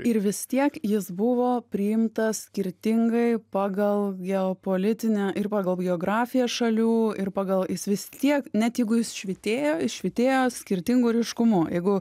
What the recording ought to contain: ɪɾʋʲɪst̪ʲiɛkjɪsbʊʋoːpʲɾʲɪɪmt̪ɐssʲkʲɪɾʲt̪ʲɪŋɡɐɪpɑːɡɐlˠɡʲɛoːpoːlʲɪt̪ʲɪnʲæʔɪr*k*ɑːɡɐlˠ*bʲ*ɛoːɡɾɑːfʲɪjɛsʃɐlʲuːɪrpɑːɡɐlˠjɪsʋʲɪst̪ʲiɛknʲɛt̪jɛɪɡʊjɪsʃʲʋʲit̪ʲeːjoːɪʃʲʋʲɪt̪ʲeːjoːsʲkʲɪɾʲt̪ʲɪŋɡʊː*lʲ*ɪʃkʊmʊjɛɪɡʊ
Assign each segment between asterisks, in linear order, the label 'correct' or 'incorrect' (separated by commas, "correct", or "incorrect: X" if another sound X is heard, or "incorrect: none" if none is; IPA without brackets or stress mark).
incorrect: p, incorrect: ɡʲ, incorrect: ɾʲ